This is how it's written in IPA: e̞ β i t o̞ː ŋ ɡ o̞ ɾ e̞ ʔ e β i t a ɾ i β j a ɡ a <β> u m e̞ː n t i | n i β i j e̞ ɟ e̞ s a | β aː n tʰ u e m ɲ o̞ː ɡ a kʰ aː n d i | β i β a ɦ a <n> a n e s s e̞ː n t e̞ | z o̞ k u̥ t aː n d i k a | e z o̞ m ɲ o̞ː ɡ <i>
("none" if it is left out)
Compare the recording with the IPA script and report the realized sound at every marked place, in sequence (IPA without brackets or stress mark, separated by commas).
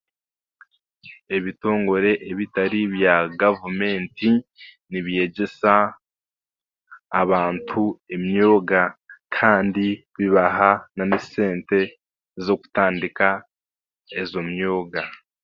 v, n, a